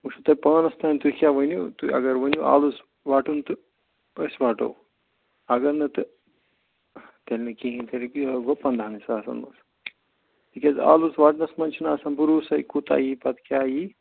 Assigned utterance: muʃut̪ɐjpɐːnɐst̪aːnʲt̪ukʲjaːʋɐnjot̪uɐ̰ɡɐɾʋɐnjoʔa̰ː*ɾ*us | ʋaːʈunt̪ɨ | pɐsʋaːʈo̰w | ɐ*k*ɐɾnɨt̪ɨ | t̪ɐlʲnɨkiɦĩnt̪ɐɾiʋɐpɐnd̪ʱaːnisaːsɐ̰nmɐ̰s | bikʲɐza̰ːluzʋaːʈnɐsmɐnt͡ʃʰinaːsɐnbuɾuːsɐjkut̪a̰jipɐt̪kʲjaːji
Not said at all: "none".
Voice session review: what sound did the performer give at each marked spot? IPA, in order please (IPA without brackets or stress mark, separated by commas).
l, ɡ